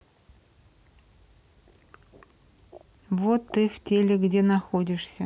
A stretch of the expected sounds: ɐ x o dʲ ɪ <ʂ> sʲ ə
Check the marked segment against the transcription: correct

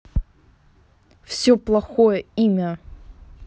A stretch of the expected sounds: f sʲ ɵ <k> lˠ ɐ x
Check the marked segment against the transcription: incorrect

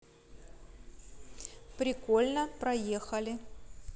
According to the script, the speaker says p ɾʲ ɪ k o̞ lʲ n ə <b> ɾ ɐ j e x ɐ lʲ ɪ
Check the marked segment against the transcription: incorrect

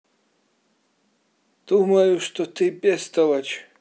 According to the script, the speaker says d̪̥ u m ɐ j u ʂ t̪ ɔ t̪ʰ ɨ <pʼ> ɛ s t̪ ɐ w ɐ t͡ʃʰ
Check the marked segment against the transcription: correct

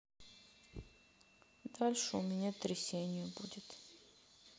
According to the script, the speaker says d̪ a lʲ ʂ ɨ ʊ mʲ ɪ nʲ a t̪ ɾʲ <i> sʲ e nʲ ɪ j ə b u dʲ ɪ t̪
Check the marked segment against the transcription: incorrect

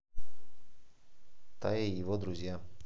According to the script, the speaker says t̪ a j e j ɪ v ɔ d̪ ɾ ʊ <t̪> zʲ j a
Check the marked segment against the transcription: incorrect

